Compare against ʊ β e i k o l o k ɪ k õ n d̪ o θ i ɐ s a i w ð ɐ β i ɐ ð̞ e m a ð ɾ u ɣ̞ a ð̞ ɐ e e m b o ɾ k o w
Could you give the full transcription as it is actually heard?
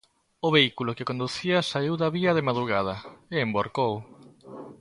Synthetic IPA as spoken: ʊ β e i k u l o k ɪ k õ n d̪ u θ i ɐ s a i w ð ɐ β i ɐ ð̞ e m a ð ɾ u ɣ̞ a ð̞ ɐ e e m b o ɾ k o w